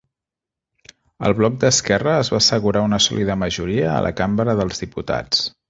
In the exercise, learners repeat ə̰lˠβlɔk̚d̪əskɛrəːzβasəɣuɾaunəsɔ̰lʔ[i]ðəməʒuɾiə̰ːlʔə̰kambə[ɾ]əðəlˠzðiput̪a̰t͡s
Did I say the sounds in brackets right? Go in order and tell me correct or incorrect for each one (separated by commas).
correct, correct